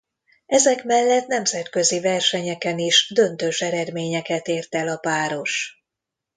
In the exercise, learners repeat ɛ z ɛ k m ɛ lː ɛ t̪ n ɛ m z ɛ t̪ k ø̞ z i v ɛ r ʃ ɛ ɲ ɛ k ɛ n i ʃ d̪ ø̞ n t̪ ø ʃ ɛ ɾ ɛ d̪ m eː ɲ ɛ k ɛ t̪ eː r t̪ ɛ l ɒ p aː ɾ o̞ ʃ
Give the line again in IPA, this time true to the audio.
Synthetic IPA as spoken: ɛ z ɛ k m ɛ lː ɛ t̪ n ɛ m z ɛ t̪ k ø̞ z i v ɛ r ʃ ɛ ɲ ɛ k ɛ n i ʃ d̪ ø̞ n t̪ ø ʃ ɛ ɾ ɛ d̪ m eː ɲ ɛ k ɛ t̪ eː r t̪ ɛ l ɒ p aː ɾ o̞ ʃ